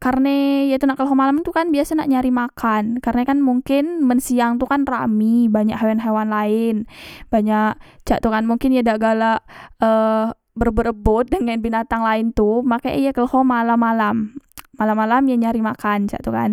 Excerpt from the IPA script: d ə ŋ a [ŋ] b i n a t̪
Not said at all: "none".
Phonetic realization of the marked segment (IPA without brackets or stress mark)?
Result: n